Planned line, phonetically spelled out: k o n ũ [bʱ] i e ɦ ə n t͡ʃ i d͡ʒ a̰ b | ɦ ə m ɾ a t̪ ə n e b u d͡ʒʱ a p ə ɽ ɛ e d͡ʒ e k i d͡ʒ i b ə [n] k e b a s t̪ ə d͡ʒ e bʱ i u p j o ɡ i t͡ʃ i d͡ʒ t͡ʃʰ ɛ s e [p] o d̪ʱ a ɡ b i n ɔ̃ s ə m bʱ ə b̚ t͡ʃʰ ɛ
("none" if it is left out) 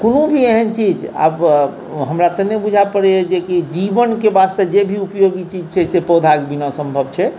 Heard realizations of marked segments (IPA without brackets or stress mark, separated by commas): bʱ, n, p